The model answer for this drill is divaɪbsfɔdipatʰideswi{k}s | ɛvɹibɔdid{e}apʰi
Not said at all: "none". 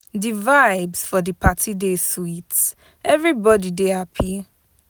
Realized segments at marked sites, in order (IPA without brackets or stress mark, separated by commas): t, e